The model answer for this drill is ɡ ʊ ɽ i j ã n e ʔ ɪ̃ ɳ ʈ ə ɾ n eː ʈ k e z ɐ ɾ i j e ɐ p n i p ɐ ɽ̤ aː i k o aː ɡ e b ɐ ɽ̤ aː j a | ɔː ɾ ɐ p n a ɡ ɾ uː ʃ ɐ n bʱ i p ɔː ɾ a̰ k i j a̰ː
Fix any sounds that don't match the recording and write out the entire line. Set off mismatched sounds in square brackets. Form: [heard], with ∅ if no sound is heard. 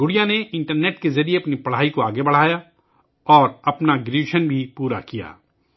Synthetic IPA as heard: ɡ ʊ ɽ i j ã n e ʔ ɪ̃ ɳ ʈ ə ɾ n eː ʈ k e z ɐ ɾ i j e ɐ p n i p ɐ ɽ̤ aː i k o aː ɡ e b ɐ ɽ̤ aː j a | ɔː ɾ ɐ p n a ɡ ɾ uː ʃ [ə] n bʱ i p [uː] ɾ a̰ k i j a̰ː